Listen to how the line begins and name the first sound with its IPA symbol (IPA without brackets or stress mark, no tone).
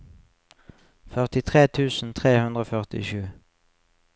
f